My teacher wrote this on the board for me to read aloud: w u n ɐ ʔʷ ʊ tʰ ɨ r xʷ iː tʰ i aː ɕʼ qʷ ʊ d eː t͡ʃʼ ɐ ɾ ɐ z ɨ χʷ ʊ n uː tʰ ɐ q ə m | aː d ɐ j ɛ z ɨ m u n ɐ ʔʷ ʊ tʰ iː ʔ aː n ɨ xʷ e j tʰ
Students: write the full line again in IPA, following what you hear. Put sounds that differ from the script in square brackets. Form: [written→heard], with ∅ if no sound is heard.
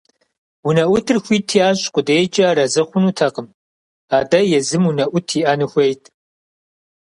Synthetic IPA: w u n ɐ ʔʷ ʊ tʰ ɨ r xʷ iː tʰ i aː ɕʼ qʷ ʊ d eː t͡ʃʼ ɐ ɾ ɐ z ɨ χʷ ʊ n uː tʰ ɐ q ə m | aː d ɐ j ɛ z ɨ m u n ɐ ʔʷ ʊ tʰ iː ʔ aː n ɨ xʷ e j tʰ